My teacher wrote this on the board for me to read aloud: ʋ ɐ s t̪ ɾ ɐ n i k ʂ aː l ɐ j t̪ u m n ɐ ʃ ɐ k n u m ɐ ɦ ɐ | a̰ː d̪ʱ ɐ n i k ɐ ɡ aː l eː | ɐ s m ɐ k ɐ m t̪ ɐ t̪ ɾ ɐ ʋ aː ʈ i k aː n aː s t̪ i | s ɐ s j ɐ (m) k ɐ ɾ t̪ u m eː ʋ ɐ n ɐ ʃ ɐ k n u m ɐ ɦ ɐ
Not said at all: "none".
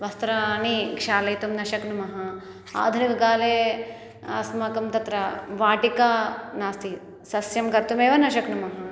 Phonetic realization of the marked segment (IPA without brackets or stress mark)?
m